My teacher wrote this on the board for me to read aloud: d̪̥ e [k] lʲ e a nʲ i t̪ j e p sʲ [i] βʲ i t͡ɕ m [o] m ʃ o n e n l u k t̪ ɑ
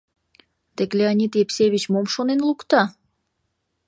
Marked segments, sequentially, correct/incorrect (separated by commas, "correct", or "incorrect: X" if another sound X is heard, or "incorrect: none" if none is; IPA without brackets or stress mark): correct, incorrect: e, correct